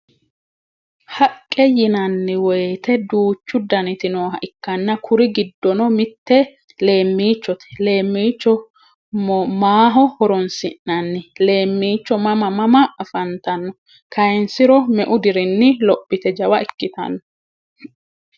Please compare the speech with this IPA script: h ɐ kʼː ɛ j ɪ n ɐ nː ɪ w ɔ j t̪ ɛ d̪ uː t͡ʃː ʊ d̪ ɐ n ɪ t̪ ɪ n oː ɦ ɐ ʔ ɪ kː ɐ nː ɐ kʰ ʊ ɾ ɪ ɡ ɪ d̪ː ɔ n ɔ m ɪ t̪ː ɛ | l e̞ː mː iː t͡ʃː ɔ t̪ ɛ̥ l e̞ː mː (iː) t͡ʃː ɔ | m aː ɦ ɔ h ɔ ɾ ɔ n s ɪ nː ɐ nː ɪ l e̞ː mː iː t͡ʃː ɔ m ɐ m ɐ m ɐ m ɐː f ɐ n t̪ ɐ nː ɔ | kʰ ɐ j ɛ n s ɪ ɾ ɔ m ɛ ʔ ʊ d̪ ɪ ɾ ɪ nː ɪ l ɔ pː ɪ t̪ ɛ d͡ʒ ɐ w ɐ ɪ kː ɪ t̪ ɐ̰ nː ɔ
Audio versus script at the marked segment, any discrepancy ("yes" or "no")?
no